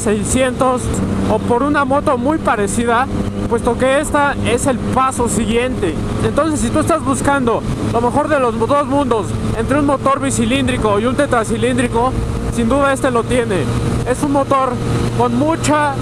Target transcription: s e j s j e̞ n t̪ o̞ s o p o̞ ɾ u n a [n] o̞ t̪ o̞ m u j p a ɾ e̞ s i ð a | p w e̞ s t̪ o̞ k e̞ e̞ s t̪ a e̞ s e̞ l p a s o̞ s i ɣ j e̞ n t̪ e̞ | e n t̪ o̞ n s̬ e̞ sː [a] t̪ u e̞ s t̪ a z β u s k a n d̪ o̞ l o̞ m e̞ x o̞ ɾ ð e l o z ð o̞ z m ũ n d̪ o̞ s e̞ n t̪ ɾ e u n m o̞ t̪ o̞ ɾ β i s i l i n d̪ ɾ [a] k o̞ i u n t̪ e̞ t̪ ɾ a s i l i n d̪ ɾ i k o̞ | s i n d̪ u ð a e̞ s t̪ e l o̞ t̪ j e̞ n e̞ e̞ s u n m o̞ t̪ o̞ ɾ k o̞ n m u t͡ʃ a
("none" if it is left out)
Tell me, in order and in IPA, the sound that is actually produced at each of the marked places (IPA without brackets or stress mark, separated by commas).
m, i, i